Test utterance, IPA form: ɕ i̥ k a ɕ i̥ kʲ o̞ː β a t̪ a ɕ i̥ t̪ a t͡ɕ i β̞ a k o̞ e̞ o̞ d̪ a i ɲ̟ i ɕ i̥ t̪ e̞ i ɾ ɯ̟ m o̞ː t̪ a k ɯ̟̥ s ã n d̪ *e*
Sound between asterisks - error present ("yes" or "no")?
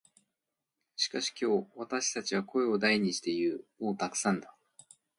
yes